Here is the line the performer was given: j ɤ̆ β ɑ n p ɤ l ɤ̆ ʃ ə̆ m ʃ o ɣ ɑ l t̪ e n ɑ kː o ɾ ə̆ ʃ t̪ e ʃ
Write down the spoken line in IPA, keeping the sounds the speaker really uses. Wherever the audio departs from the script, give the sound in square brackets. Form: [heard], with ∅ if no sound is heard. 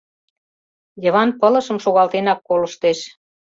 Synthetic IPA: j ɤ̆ β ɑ n p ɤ l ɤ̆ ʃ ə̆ m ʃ o ɣ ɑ l t̪ e n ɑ kː o [l] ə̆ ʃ t̪ e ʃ